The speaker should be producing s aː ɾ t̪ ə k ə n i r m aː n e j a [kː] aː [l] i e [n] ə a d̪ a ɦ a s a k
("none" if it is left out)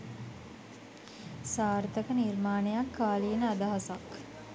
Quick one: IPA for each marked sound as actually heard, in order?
kː, l, n

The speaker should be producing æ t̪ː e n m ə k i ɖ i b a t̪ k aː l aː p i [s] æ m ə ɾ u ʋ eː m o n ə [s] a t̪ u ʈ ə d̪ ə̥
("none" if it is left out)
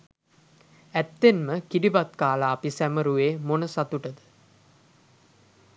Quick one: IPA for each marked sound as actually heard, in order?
s, s

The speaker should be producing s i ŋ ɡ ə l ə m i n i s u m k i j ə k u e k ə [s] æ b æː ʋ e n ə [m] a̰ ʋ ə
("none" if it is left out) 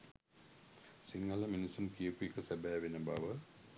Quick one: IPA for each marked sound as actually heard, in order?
s, b

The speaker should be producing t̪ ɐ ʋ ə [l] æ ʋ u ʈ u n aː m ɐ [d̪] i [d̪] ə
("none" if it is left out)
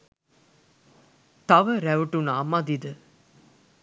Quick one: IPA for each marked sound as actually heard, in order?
ɾ, d̪, d̪

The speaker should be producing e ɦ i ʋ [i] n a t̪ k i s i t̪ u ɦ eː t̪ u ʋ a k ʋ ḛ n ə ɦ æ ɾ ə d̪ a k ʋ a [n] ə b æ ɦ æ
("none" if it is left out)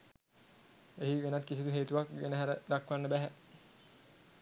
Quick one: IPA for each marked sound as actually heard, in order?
e, nː

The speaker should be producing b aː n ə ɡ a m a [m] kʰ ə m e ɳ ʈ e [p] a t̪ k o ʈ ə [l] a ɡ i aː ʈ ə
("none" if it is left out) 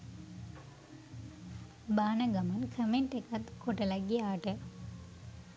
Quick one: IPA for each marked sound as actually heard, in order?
n, k, l

